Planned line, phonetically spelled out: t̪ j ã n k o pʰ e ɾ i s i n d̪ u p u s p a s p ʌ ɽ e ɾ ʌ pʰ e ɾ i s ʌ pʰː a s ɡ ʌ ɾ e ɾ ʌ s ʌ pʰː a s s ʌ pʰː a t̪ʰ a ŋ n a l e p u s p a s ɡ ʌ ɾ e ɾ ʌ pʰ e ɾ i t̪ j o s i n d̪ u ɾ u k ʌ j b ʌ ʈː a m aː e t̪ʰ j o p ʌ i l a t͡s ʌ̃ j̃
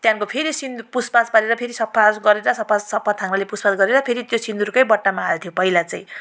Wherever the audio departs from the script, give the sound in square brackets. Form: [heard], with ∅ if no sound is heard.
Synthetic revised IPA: t̪ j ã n k o pʰ e ɾ i s i n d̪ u p u s p a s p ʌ [ɾ] e ɾ ʌ pʰ e ɾ i s ʌ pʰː a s ɡ ʌ ɾ e ɾ ʌ s ʌ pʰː a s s ʌ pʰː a t̪ʰ a ŋ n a l e p u s p a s ɡ ʌ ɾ e ɾ ʌ pʰ e ɾ i t̪ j o s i n d̪ u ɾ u k ʌ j b ʌ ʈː a m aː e t̪ʰ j o p ʌ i l a t͡s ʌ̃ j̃